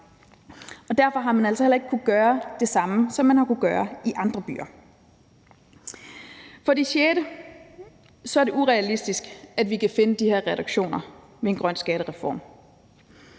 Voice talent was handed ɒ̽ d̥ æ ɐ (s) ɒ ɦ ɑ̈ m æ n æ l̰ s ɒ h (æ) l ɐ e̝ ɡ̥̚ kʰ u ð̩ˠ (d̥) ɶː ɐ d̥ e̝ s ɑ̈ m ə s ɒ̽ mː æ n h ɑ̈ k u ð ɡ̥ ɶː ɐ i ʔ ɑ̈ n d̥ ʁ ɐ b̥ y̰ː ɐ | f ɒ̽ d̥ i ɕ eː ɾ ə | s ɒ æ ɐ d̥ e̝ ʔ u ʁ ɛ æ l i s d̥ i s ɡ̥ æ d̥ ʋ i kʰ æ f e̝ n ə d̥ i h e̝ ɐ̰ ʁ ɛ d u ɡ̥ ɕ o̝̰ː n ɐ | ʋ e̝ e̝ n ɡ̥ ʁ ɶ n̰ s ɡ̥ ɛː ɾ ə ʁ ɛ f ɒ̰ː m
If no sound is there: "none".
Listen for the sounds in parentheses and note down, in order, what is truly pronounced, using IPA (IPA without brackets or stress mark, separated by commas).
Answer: f, e, ɡ̥